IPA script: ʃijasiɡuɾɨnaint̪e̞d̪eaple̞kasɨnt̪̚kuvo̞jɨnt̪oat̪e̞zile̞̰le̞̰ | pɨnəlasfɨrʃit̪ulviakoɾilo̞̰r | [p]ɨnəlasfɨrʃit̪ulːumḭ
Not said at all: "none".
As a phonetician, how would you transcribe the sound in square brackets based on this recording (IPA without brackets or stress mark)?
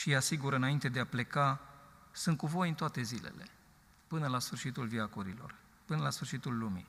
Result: p